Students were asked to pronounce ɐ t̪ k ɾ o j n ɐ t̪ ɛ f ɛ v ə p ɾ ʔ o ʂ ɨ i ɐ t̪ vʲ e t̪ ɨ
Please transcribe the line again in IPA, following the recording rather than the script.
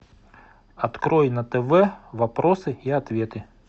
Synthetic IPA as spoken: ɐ t̪ k ɾ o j n ɐ t̪ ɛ v ɛ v ɐ p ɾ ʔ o s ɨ i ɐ t̪ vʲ e t̪ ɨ